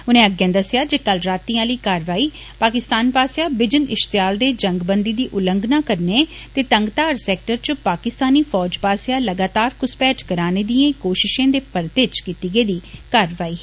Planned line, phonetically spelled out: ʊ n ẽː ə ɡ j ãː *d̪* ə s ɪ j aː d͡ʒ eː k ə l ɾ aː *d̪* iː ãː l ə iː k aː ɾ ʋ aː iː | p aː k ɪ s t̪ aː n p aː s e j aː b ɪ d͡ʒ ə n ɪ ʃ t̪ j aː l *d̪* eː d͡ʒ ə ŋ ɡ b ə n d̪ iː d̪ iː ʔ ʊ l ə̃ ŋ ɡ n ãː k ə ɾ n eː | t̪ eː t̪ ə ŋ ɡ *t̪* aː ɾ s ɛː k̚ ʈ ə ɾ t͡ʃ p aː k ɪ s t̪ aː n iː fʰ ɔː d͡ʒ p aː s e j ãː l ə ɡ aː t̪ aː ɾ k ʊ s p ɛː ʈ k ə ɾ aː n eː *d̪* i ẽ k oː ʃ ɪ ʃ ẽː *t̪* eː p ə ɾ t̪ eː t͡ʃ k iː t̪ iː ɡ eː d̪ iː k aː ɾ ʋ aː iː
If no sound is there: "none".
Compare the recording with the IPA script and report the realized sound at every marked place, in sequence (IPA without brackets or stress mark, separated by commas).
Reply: d̪, t̪, d̪, t̪, d̪, d̪